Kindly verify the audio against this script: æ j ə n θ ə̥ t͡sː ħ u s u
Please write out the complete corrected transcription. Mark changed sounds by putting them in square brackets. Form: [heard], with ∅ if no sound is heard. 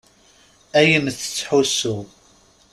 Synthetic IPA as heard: æ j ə [m] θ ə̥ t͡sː ħ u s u